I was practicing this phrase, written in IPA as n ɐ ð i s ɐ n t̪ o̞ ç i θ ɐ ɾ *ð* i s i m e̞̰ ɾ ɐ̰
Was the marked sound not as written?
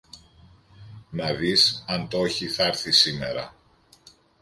yes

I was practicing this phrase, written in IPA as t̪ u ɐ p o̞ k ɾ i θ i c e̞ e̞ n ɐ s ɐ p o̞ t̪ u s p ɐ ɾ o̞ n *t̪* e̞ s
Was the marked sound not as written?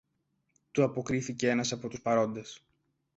yes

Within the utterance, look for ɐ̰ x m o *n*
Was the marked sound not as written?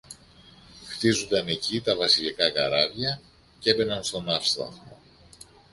yes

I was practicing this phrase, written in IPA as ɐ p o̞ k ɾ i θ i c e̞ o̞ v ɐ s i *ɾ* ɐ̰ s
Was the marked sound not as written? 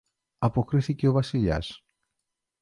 yes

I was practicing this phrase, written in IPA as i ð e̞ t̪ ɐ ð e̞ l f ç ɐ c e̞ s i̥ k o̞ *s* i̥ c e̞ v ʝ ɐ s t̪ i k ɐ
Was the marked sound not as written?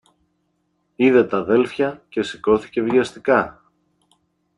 yes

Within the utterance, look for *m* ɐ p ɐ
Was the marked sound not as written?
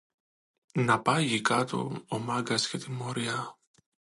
yes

